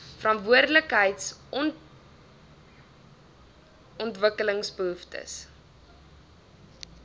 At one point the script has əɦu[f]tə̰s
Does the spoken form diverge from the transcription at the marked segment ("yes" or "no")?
no